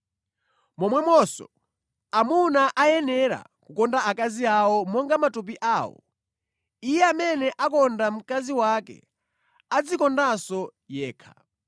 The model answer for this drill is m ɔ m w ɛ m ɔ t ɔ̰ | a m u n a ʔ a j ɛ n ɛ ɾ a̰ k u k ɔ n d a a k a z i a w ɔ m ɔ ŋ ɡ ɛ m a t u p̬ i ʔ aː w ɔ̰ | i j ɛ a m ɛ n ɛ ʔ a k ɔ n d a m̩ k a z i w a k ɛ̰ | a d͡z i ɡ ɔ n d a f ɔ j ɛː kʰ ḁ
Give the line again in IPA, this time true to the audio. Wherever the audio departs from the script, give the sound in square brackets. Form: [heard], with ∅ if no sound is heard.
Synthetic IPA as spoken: m ɔ m w ɛ m ɔ [s] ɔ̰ | a m u n a ʔ a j ɛ n ɛ ɾ a̰ k u k ɔ n d a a k a z i a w ɔ m ɔ ŋ ɡ [a] m a t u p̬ i ʔ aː w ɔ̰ | i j ɛ a m ɛ n ɛ ʔ a k ɔ n d a m̩ k a z i w a k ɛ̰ | a d͡z i [k] ɔ n d a [s] ɔ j ɛː kʰ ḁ

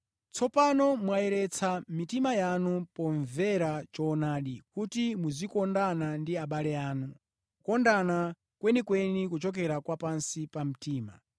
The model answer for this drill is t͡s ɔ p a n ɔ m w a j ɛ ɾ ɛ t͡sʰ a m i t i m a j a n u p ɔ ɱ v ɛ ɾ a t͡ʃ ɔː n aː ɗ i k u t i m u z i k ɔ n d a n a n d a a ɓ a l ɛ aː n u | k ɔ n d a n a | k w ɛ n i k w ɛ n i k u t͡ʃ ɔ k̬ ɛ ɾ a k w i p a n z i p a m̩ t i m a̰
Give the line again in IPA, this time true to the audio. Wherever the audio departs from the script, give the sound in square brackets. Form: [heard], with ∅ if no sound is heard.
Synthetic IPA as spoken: t͡s ɔ p a n ɔ m w a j ɛ ɾ ɛ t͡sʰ a m i t i m a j a n u p ɔ ɱ v ɛ ɾ a t͡ʃ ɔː n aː ɗ i k u t i m u z i k ɔ n d a n a n d [i] a ɓ a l ɛ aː n u | k ɔ n d a n a | k w ɛ n i k w ɛ n i k u t͡ʃ ɔ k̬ ɛ ɾ a k w [a] p a n [s] i p a m̩ t [iː] m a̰

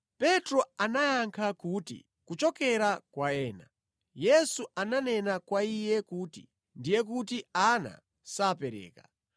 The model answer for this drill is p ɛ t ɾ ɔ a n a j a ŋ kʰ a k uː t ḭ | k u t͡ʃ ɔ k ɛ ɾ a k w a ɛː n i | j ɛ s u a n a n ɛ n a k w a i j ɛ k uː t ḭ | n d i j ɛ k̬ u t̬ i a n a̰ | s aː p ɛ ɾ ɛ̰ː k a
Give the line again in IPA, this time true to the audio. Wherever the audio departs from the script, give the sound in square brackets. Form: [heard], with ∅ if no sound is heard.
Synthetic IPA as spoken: p ɛ t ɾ ɔ a n a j a ŋ kʰ a k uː t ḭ | k u t͡ʃ ɔ k ɛ ɾ a k w a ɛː n [a] | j ɛ s u a n a n ɛ n a k w a i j ɛ k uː t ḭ | n d i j ɛ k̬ u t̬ i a n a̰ | s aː p ɛ ɾ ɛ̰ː k a

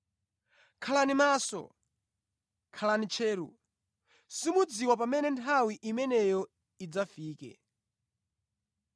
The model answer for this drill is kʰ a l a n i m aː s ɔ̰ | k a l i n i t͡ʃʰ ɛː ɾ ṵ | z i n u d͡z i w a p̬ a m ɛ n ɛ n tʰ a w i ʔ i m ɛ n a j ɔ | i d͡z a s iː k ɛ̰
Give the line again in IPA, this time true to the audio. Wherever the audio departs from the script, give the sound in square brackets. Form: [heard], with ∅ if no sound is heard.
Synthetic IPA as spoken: kʰ a l a n i m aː s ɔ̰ | [kʰ] a l [a] n i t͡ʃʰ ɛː ɾ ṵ | [s] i [m] u d͡z i w a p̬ a m ɛ n ɛ n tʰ a w i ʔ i m ɛ n [ɛ] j ɔ | i d͡z a [f] iː k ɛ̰

